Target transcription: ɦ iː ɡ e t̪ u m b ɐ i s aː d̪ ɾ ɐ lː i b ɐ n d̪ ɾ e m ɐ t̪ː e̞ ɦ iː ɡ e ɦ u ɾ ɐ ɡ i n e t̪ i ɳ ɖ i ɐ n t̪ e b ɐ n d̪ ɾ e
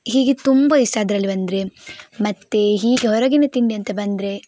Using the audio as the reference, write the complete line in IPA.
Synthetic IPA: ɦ iː ɡ e t̪ u m b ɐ i s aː d̪ ɾ ɐ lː i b ɐ n d̪ ɾ e m ɐ t̪ː e̞ ɦ iː ɡ e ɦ ɔ ɾ ɐ ɡ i n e t̪ i ɳ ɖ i ɐ n t̪ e b ɐ n d̪ ɾ e